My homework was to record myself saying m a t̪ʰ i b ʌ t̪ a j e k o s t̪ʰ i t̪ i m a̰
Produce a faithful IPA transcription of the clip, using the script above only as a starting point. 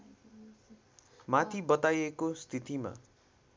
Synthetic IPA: m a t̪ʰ i b ʌ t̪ a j e k o s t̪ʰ i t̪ i m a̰